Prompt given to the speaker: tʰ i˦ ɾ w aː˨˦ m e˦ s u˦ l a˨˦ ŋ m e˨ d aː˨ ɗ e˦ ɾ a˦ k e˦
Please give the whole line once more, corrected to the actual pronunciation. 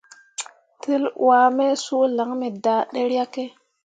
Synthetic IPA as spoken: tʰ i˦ l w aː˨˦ m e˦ s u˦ l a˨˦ ŋ m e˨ d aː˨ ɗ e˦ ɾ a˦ k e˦